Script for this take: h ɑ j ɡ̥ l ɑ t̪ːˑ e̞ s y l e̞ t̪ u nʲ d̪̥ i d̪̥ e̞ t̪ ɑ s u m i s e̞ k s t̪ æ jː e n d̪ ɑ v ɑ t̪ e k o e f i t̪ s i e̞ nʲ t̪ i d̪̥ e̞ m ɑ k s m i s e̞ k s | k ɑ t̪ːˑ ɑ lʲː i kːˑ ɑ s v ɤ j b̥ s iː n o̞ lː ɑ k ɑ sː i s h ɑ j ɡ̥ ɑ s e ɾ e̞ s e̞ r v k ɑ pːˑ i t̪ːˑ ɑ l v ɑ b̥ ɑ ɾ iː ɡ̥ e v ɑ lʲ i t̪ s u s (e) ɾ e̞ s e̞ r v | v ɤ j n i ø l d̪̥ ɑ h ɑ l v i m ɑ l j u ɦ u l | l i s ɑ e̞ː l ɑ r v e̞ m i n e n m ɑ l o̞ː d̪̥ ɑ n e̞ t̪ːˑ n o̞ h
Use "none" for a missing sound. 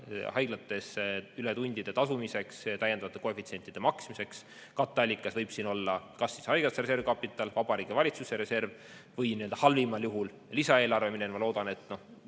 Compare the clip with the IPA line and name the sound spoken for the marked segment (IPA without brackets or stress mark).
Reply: e